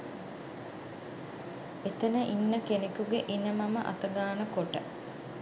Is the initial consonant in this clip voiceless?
yes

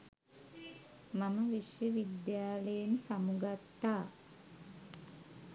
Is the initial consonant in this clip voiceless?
no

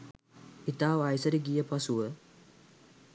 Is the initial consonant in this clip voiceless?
yes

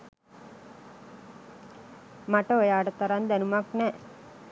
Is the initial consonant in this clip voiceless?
no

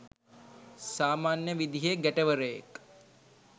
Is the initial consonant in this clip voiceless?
yes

